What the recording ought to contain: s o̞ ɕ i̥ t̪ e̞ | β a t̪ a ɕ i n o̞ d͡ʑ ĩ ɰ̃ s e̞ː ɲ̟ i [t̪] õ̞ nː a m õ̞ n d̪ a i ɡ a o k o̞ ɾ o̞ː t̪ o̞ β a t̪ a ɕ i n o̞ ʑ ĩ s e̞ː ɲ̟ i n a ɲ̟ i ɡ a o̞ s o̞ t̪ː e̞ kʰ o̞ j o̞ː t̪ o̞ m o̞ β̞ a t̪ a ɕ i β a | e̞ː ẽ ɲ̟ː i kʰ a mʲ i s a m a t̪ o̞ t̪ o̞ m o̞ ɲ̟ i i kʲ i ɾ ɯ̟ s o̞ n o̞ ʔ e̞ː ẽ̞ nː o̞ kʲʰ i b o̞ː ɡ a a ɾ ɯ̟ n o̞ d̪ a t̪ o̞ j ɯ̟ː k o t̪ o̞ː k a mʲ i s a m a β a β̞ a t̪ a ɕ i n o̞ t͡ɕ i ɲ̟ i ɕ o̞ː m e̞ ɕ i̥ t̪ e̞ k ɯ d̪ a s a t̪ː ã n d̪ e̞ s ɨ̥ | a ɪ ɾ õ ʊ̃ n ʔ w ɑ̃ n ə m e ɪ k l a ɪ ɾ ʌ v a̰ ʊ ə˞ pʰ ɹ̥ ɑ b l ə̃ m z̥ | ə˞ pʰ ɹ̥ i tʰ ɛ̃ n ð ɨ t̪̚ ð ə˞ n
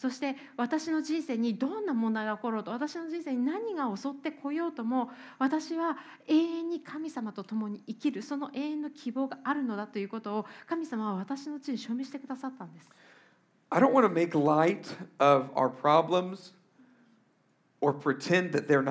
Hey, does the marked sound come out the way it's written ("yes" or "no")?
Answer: no